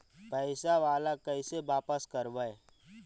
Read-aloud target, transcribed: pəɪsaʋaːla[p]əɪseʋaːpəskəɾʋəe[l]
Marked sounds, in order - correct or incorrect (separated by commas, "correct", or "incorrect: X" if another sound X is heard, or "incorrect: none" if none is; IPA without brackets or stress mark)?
incorrect: k, incorrect: none